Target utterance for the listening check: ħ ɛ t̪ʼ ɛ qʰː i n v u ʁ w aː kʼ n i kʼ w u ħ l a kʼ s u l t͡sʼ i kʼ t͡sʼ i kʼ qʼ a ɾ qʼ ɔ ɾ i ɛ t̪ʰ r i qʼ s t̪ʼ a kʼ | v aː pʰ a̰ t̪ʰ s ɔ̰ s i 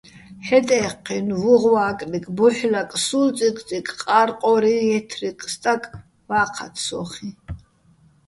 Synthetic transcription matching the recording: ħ ɛ t̪ʼ ɛ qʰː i n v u ʁ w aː kʼ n i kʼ b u ħ l a kʼ s u l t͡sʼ i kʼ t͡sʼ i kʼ qʼ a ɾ qʼ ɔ ɾ i ɛ t̪ʰ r i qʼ s t̪ʼ a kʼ | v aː qʰ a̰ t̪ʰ s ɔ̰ χ i

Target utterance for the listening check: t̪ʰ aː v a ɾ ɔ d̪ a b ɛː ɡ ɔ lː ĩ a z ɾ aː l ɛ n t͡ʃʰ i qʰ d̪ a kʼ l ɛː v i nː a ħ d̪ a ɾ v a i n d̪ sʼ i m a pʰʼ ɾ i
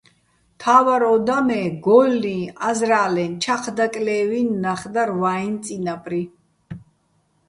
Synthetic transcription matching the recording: t̪ʰ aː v a ɾ ɔ d̪ a m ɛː ɡ ɔ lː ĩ a z ɾ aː l ɛ n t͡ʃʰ a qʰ d̪ a kʼ l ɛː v i nː a χ d̪ a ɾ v a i n t̪ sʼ i n a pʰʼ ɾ i

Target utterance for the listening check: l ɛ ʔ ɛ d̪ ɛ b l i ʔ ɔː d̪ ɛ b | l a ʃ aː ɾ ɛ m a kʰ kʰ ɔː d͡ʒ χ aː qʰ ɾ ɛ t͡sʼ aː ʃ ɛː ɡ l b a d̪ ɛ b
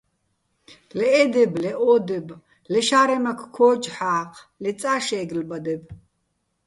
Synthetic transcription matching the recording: l ɛ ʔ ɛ d̪ ɛ b l ɛ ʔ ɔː d̪ ɛ b | l ɛ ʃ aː ɾ ɛ m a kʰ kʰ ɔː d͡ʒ ħ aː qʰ l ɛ t͡sʼ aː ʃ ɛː ɡ l b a d̪ ɛ b

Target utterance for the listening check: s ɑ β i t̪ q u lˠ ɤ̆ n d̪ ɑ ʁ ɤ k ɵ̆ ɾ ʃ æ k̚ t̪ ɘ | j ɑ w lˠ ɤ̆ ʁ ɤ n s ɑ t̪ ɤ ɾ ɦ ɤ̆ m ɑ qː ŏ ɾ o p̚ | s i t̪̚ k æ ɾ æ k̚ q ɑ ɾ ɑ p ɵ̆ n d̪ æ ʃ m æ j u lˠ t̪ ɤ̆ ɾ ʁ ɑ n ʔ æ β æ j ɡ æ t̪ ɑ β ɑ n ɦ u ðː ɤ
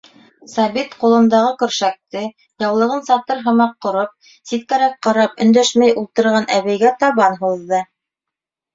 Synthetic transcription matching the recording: s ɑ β i t̪ q u lˠ ɤ̆ n d̪ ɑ ʁ ɤ k ɵ̆ ɾ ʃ æ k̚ t̪ ɘ | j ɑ w lˠ ɤ̆ ʁ ɤ n s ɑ t̪ ɤ ɾ ɦ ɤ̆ m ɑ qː ŏ ɾ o p̚ | s i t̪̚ k æ ɾ æ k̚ q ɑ ɾ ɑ p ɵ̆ n d̪ æ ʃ m æ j u lˠ t̪ ɤ̆ ɾ ʁ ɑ n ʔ æ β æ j ɡ æ t̪ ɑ β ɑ n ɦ u ðː ɤ

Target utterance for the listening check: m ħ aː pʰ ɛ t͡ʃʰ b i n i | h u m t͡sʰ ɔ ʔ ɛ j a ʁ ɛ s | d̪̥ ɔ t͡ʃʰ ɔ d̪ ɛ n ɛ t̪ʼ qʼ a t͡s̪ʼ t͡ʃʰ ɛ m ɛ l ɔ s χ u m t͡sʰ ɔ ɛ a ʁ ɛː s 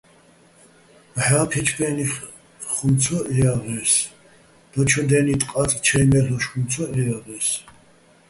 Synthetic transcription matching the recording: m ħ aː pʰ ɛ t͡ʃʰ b ɛ n i | χ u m t͡sʰ ɔ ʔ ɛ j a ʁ ɛ s | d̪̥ ɔ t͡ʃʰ ɔ d̪ ɛ n i t̪ʼ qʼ a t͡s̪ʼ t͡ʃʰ ɛ m ɛ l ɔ ʃ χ u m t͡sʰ ɔ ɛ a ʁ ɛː s

